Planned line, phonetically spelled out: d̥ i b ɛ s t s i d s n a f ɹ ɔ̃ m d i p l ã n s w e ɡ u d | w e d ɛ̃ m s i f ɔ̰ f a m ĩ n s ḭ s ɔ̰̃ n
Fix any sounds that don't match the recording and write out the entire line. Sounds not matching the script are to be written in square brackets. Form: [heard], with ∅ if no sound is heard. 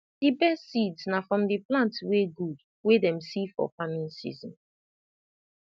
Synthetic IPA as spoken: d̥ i b ɛ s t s i d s n a f ɹ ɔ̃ m d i p l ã n [t] w e ɡ u d | w e d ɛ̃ m s i f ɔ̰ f a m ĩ n s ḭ [z] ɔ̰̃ n

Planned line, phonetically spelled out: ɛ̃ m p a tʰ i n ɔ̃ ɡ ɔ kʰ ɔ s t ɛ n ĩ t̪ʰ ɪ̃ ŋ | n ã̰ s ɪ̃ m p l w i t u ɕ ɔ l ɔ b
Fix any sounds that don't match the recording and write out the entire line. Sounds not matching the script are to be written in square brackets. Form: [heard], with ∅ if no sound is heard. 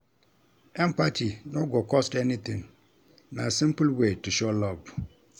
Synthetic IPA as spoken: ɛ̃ m p a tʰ i n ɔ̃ ɡ ɔ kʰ ɔ s t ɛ n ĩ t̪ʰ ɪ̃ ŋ | n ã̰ s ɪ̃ m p l w [e] t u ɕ ɔ l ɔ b

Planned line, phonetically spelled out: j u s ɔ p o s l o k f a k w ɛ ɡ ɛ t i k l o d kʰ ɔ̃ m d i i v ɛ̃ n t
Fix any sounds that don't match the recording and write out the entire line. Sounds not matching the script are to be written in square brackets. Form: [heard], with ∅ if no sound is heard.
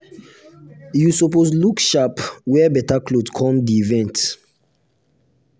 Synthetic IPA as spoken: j u s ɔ p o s l [u] k [ʃ] a [p] w ɛ [b] ɛ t [a] k l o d kʰ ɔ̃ m d i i v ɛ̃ n t

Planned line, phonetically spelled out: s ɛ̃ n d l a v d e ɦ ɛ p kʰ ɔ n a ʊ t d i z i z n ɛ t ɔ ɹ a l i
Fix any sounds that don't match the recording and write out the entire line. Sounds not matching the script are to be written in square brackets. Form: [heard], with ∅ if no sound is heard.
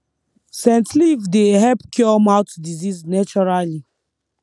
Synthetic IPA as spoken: s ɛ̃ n [t] l [i] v d e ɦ ɛ p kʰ ɔ [m] a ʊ t d i z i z n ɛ [t͡ʃ] ɔ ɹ a l i

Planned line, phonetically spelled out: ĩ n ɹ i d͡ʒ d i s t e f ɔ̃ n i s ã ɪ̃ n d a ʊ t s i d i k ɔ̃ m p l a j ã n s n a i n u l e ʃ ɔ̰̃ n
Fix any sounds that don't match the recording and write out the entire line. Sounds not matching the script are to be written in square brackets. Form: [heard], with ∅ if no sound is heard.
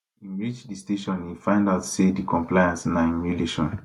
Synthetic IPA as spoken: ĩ n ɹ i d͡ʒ d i s t e [ʃ] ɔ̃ n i [f] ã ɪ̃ n d a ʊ t s [e] d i k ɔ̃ m p l a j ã n s n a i [m] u l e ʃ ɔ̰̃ n

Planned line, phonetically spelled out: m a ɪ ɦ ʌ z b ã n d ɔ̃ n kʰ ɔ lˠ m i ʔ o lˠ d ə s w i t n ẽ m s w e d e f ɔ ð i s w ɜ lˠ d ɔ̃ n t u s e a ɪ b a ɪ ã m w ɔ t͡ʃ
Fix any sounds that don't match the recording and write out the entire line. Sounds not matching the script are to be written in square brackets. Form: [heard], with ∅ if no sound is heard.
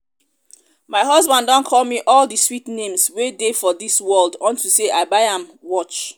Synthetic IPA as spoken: m a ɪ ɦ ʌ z b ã n d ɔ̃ n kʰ ɔ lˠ m i ʔ [ɔ] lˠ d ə s w i t n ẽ m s w e d e f ɔ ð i s w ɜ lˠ d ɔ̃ n t u s e a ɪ b a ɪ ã m w ɔ t͡ʃ

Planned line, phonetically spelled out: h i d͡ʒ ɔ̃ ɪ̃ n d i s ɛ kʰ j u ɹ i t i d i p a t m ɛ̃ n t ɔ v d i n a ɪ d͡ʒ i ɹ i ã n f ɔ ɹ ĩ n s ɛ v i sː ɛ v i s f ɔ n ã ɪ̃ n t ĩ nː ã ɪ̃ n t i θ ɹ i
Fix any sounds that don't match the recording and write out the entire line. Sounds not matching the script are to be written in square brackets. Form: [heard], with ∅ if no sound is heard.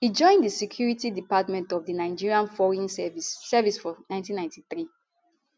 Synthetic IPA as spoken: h i d͡ʒ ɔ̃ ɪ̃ n d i s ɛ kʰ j u ɹ i t i d i p a t m ɛ̃ n t ɔ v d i n a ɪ d͡ʒ i ɹ i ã n f ɔ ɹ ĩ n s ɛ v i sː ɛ v i s f ɔ n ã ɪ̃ n t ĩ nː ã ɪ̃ n t i θ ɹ i

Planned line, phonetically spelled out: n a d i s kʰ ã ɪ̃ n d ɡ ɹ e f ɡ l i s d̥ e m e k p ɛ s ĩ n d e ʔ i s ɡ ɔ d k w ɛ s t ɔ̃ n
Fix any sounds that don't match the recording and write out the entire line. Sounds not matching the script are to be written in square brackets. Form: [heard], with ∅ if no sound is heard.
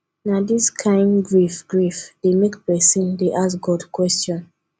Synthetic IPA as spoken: n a d i s kʰ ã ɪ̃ n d ɡ ɹ [i] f ɡ [ɹ] i [f] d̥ e m e k p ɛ s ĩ n d e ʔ [a] s ɡ ɔ d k w ɛ s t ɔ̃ n

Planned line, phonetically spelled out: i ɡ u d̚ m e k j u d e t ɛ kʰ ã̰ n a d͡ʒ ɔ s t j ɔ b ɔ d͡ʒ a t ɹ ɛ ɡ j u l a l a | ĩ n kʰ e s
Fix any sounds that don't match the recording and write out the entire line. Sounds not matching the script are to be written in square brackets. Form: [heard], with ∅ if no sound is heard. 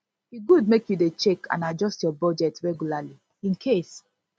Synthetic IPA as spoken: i ɡ u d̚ m e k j u d e [t͡ʃ] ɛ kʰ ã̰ n a d͡ʒ ɔ s t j ɔ b ɔ d͡ʒ [ɛ] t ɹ ɛ ɡ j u l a l [i] | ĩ n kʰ e s

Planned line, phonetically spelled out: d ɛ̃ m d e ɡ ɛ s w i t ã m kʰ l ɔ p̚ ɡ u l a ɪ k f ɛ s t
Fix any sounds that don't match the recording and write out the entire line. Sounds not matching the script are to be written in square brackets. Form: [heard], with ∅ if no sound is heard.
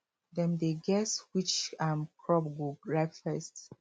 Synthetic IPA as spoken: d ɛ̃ m d e ɡ ɛ s w i [t͡ʃ] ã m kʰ [ɹ] ɔ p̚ ɡ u [ɹ] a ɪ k f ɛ s t

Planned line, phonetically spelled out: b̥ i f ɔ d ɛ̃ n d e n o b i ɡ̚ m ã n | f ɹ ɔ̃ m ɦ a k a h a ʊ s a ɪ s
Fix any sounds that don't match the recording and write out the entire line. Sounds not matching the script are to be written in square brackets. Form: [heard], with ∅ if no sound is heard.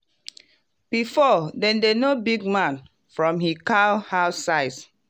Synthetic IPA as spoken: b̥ i f ɔ d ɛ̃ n d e n o b i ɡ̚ m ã n | f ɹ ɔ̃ m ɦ [i] k a h a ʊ s a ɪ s

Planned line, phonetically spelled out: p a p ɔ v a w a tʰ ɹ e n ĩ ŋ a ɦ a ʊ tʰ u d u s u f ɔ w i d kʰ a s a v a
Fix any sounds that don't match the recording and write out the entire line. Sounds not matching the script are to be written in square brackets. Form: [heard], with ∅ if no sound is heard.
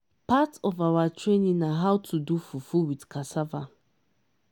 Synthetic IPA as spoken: p a [t] ɔ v a w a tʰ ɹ e n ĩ [n] a ɦ a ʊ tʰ u d u [f] u f [u] w i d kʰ a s a v a

